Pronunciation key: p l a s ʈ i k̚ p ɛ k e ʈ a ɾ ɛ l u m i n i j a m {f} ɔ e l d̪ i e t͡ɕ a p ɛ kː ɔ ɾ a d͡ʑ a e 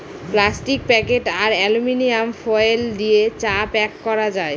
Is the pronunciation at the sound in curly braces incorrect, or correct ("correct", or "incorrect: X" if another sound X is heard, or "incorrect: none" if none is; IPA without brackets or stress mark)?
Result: correct